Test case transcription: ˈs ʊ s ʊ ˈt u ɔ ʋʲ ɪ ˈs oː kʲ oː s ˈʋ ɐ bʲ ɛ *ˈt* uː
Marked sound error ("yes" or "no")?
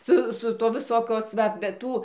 no